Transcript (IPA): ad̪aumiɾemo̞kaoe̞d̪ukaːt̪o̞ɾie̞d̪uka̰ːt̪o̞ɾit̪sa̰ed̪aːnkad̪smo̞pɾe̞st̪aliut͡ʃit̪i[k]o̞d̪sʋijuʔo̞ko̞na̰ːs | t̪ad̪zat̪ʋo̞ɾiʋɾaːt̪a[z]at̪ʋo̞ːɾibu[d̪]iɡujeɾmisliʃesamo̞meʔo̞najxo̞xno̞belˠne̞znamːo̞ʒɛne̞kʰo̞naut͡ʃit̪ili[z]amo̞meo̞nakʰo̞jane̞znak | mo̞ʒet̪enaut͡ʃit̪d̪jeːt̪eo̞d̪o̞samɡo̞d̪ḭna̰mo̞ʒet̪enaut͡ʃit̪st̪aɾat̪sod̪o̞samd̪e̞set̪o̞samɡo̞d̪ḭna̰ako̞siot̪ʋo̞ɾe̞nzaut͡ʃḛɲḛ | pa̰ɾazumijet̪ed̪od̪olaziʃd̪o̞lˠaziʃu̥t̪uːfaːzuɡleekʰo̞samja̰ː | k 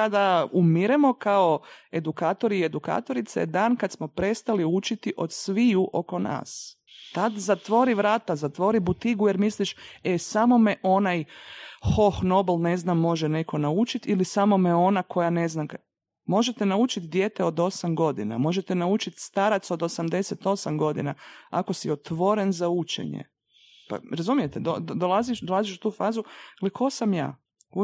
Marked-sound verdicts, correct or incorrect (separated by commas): incorrect, correct, incorrect, incorrect